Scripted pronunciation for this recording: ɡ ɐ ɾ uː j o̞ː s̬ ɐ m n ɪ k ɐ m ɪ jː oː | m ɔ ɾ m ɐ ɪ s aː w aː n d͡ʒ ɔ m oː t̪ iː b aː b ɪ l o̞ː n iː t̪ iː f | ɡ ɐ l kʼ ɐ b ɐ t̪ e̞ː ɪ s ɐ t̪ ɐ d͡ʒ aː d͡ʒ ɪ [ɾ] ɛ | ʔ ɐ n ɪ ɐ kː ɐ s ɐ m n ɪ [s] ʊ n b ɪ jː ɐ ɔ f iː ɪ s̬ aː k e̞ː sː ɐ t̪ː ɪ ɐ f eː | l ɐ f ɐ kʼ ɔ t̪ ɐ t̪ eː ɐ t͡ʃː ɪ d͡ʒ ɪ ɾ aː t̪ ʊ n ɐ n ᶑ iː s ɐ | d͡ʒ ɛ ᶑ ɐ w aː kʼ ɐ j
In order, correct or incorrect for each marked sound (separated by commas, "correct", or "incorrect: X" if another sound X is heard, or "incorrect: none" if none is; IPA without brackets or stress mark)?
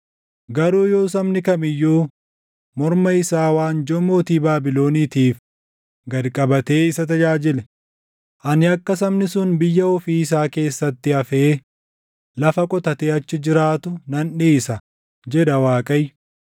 incorrect: l, correct